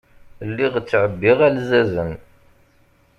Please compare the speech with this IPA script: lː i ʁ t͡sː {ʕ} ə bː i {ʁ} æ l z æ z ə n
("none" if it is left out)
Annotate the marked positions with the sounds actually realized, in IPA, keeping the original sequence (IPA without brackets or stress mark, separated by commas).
ʕ, ʁ